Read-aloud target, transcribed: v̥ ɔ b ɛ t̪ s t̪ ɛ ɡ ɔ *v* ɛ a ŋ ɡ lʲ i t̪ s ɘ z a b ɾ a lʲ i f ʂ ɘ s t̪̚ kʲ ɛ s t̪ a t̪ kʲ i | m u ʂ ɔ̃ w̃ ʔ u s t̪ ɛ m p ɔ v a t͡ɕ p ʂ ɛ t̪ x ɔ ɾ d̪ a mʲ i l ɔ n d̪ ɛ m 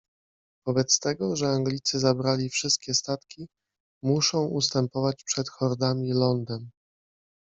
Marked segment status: incorrect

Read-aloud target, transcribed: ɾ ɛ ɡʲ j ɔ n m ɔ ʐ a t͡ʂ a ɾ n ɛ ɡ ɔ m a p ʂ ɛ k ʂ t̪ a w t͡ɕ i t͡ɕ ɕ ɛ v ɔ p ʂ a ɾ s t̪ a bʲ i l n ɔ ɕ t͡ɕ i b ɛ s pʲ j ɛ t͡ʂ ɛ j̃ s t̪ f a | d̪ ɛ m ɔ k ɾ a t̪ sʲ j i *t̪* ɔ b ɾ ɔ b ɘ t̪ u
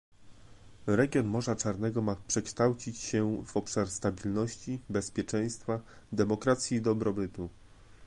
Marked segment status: incorrect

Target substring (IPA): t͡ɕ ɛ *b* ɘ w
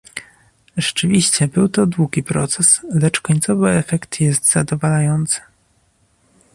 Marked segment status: correct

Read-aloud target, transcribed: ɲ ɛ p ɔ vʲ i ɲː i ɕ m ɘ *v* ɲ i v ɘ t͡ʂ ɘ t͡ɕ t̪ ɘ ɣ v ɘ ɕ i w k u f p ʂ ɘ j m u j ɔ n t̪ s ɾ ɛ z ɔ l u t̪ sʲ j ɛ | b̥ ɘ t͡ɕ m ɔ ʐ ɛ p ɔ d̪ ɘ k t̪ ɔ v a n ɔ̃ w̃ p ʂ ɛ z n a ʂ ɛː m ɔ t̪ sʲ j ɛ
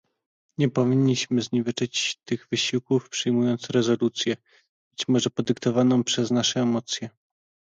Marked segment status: incorrect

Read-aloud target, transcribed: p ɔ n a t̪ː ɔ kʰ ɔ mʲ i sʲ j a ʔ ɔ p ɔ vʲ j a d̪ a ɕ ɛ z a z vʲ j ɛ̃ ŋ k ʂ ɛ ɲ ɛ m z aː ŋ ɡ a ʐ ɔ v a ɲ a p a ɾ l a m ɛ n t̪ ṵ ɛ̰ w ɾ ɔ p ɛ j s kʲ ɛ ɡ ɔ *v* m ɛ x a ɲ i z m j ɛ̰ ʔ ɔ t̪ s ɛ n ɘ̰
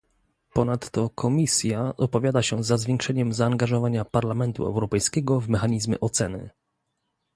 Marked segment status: correct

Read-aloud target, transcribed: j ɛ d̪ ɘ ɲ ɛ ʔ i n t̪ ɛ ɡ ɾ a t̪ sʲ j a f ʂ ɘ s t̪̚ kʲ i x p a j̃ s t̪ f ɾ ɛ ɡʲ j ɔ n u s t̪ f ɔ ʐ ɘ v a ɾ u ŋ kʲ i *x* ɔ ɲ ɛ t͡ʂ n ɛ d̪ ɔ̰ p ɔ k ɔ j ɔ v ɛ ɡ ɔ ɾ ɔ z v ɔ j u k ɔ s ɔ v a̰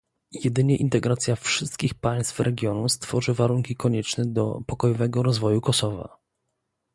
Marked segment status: incorrect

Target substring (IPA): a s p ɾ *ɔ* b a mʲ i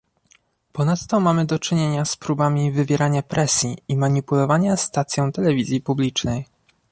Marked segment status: incorrect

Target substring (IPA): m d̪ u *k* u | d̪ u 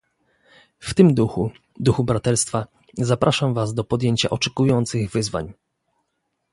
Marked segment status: incorrect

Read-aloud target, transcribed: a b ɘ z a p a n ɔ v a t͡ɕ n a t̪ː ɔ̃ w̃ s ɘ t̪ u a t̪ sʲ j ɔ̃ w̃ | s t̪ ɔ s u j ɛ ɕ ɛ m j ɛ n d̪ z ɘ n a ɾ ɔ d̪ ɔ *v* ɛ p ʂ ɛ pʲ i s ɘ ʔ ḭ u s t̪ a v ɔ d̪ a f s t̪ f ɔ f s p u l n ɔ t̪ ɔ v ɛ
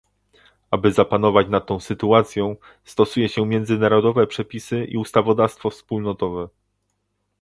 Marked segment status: correct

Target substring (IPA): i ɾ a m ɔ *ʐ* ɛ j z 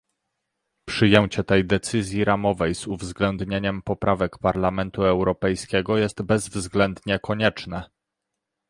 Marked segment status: incorrect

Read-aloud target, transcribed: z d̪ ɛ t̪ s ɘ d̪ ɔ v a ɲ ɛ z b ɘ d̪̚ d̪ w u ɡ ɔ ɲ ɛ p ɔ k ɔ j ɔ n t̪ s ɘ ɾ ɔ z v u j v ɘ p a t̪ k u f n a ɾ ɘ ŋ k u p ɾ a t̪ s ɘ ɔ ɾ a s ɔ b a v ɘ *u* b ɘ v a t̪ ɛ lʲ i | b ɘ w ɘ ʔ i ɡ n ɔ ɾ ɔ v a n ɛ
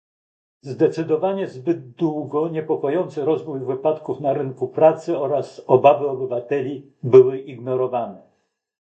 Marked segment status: incorrect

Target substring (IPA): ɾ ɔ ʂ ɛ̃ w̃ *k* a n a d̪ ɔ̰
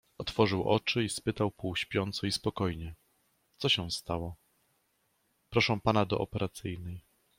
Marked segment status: incorrect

